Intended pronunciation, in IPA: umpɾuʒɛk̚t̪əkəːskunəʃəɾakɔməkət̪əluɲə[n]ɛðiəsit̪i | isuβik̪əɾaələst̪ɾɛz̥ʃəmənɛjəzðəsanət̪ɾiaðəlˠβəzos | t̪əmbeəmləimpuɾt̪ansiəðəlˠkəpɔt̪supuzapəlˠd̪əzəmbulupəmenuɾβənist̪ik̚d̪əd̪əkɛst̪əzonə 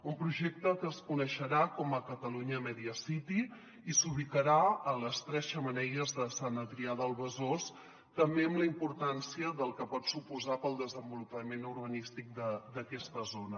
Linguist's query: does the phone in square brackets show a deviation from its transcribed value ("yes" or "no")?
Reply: yes